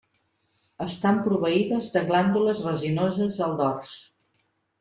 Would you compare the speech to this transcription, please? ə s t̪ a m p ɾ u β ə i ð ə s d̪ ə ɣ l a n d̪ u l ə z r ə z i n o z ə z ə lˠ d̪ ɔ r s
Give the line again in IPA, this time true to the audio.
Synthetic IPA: ə s t̪ a m p ɾ u β ə i ð ə z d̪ ə ɣ l a n d̪ u l ə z r ə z i n o z ə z ə lˠ d̪ ɔ r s